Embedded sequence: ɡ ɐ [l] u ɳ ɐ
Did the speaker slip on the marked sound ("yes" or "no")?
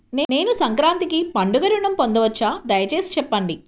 yes